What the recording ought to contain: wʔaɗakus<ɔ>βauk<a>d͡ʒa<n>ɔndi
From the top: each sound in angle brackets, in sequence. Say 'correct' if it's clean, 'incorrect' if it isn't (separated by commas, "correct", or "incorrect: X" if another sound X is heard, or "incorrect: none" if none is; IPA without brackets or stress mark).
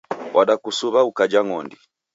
incorrect: u, correct, incorrect: ŋ